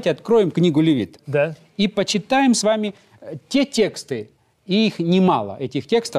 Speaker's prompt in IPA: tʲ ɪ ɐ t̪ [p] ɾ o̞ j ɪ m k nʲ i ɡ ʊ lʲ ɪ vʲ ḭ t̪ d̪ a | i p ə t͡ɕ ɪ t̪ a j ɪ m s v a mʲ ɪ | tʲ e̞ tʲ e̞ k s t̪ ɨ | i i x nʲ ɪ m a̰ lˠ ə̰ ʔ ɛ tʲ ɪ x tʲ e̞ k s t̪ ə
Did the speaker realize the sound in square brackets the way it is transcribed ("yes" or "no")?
no